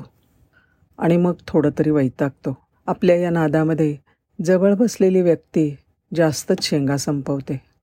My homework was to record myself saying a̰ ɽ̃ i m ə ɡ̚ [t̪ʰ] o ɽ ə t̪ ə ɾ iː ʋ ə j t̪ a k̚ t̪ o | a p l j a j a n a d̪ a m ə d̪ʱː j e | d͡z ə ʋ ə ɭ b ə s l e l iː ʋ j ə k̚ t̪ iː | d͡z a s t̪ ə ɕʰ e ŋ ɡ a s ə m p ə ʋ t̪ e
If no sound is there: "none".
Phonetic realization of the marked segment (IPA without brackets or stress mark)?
t̪ʰ